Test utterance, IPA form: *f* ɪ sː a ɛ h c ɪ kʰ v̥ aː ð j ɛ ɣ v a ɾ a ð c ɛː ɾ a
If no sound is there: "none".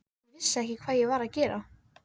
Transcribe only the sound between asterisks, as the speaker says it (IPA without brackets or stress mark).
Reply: v